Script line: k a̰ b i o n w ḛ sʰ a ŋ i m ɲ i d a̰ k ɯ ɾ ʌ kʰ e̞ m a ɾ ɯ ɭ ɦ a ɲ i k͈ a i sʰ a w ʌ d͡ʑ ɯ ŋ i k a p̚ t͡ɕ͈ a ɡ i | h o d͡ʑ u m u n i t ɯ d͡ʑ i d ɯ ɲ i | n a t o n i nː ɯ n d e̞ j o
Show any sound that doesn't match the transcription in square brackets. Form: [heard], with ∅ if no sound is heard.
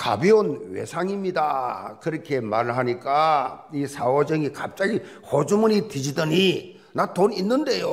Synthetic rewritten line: k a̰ b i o n w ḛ sʰ a ŋ i m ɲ i d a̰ k ɯ ɾ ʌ kʰ e̞ m a ɾ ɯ ɭ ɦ a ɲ i k͈ a i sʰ a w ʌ d͡ʑ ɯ ŋ i k a p̚ t͡ɕ͈ a ɡ i | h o d͡ʑ u m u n i t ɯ d͡ʑ i d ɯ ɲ i | n a t o n i nː ɯ n d e̞ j o